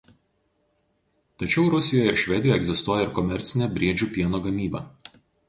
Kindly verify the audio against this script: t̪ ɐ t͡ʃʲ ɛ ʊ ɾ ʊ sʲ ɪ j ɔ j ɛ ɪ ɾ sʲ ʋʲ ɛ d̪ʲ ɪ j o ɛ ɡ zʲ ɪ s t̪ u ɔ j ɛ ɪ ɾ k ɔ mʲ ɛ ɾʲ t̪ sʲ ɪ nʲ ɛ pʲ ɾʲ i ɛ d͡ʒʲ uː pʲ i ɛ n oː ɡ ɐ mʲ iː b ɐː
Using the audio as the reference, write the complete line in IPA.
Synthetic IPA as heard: t̪ ɐ t͡ʃʲ ɛ ʊ ɾ ʊ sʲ ɪ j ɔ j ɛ ɪ ɾ ʃʲ ʋʲ ɛ d̪ʲ ɪ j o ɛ ɡ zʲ ɪ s t̪ u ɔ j ɛ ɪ ɾ k ɔ mʲ ɛ ɾʲ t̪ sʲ ɪ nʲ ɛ bʲ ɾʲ i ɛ d͡ʒʲ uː pʲ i ɛ n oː ɡ ɐ mʲ iː b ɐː